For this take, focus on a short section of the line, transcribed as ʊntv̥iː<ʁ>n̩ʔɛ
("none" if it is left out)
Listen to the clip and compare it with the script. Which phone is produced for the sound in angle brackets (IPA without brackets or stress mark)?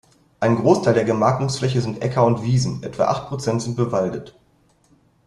z